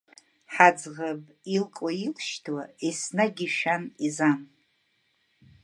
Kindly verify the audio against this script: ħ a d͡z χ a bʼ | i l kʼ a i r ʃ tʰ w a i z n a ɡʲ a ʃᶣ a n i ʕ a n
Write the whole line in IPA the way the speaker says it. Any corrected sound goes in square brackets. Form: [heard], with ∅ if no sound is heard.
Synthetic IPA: ħ a d͡z [ʁ] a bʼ | i l kʼ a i [l] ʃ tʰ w a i [s] n a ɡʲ [i] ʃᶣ a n i [z] a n

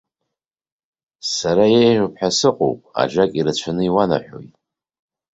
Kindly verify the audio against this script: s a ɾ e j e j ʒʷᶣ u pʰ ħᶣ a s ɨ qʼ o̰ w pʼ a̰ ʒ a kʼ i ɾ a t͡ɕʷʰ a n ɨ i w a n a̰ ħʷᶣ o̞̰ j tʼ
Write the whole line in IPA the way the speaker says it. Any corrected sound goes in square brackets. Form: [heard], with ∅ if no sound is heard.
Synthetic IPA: s a ɾ [a] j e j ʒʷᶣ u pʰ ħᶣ a s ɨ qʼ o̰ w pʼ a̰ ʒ a kʼ i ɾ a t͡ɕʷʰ a n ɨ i w a n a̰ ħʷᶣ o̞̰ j tʼ

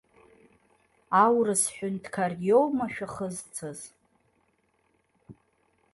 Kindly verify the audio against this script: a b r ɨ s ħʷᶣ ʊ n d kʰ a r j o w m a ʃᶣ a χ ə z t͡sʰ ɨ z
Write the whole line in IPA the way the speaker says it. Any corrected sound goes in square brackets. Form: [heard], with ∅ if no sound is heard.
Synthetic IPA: a [w] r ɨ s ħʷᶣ ʊ n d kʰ a r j o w m a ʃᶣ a χ ə z t͡sʰ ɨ z

